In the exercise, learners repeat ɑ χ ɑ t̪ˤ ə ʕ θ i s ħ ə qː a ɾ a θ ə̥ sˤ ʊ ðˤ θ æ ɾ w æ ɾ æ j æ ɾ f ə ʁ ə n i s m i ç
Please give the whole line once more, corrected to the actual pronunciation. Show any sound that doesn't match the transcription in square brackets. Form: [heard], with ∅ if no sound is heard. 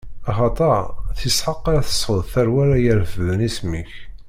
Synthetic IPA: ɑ χ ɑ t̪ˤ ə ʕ θ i s ħ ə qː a ɾ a θ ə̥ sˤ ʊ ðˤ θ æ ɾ w æ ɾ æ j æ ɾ f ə [ð] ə n i s m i ç